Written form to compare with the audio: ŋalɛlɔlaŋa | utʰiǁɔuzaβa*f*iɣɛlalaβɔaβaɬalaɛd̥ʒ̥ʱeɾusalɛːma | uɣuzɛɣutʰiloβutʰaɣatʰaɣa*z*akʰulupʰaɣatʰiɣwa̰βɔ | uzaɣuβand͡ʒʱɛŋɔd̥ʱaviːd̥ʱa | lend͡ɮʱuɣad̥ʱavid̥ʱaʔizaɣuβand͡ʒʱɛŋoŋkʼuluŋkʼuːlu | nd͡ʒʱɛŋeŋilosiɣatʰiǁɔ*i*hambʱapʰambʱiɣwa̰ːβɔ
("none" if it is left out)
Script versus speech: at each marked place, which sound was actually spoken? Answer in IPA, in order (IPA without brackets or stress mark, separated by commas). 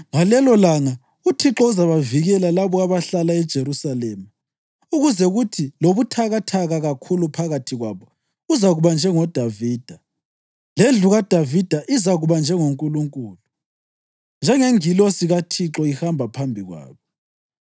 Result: v, ɣ, i